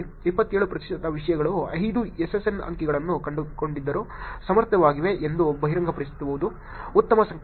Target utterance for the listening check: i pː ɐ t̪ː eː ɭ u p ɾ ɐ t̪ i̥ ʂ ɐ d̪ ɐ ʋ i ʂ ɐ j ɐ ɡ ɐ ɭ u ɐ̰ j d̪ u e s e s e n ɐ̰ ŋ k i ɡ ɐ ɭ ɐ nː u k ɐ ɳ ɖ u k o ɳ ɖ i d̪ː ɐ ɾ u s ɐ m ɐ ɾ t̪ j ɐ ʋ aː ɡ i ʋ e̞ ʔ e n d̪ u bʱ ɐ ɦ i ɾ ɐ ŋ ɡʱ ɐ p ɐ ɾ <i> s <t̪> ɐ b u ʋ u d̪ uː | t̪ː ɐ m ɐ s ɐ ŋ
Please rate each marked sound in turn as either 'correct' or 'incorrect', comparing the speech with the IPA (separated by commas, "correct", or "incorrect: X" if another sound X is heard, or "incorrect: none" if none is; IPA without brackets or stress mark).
correct, correct